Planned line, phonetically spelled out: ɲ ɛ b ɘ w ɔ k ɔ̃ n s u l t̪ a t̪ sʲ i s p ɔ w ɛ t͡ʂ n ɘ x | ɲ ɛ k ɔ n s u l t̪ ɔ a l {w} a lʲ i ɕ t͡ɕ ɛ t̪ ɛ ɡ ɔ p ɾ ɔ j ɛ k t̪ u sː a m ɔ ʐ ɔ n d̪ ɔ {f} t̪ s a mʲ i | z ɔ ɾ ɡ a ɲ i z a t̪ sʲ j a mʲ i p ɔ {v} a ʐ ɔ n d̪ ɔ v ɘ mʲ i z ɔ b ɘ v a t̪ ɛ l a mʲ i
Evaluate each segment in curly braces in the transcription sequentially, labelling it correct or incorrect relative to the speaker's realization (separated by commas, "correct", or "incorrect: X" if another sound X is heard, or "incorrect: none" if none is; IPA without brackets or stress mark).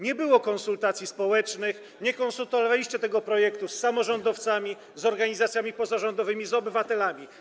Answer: incorrect: v, correct, incorrect: z